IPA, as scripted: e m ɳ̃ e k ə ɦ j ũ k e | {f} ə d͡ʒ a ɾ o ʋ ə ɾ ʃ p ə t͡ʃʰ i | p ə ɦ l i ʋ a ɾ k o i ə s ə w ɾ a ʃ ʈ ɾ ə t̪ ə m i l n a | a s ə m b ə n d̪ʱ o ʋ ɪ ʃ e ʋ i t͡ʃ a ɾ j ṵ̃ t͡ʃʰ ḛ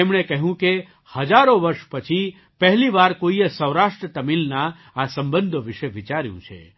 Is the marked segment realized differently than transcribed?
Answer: yes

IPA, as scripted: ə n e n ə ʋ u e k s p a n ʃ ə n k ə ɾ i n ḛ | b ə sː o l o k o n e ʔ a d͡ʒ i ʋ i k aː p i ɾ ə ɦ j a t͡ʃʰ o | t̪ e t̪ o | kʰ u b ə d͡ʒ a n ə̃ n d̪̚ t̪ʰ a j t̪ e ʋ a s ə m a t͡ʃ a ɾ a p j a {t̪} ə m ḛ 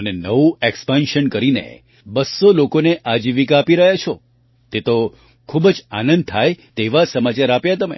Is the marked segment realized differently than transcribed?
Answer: no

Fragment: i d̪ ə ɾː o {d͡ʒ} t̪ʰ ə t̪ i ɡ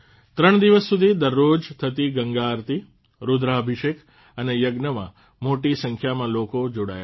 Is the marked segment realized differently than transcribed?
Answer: no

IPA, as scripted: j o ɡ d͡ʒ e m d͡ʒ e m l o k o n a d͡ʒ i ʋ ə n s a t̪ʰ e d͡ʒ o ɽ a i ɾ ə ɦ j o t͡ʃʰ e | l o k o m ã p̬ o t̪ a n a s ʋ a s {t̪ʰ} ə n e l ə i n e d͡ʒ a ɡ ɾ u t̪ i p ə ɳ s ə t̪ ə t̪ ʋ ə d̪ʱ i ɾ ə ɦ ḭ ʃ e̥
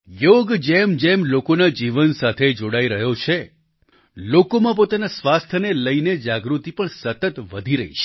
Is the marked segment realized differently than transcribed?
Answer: no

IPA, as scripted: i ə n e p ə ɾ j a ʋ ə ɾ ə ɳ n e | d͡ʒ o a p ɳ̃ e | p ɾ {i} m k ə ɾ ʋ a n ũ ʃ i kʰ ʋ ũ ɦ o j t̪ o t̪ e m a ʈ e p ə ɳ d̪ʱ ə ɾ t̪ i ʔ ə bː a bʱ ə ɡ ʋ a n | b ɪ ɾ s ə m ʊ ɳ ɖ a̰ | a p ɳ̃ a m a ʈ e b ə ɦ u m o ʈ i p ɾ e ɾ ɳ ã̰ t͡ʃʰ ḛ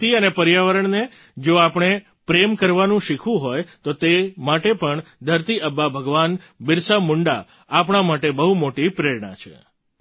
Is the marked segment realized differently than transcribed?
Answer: yes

